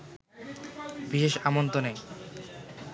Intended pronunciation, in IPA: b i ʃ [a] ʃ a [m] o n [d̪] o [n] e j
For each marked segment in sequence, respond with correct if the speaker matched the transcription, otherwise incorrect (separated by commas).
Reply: incorrect, correct, incorrect, correct